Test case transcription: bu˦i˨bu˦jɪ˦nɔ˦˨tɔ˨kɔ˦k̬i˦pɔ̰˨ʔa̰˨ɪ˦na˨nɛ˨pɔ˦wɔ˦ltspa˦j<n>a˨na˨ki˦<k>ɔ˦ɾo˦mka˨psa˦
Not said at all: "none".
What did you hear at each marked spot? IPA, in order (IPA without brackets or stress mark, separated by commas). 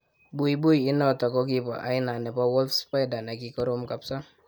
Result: d, k